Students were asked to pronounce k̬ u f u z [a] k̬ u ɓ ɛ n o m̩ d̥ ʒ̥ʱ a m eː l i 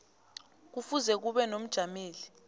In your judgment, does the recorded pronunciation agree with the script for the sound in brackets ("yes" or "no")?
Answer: no